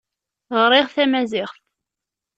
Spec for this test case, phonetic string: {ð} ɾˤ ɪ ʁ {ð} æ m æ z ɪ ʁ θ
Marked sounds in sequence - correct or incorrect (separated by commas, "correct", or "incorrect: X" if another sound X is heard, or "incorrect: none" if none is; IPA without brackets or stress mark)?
incorrect: ʁ, incorrect: θ